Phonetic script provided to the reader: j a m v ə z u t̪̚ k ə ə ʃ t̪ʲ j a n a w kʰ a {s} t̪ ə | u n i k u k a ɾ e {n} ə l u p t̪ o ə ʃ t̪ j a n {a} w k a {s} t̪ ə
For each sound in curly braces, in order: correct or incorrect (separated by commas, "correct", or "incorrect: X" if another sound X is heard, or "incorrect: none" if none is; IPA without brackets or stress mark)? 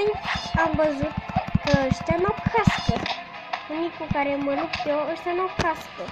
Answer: correct, incorrect: m, correct, correct